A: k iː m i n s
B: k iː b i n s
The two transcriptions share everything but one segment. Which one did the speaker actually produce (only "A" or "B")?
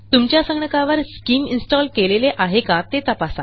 A